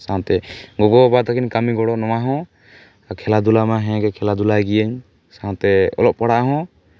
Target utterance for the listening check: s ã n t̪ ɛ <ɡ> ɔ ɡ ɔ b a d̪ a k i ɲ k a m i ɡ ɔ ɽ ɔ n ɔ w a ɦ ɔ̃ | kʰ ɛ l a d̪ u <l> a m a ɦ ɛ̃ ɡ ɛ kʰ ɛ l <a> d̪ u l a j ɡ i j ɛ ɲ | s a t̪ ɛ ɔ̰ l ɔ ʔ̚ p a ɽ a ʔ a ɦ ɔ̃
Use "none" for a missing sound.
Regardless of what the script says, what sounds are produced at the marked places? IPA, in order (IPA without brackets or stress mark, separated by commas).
ɡ, l, a